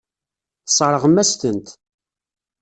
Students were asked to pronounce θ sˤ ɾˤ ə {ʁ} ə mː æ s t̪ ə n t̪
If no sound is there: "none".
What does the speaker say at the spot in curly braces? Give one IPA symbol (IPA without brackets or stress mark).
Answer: ʁ